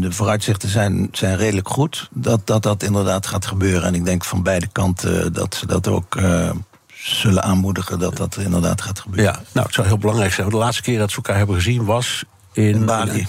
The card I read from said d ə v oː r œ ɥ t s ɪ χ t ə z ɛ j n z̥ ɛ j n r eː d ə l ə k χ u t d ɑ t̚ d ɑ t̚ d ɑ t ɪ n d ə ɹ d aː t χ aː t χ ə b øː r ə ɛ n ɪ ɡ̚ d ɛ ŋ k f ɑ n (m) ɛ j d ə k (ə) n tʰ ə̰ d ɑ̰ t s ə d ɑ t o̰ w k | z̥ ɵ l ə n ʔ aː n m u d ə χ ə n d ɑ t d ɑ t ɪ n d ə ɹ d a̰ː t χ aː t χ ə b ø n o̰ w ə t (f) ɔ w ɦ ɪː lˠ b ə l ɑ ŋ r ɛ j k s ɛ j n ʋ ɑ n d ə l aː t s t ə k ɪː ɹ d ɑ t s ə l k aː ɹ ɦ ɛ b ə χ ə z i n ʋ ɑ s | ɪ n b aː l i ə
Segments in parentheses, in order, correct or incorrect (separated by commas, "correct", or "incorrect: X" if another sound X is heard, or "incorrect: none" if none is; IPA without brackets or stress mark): incorrect: b, incorrect: ɑ, incorrect: s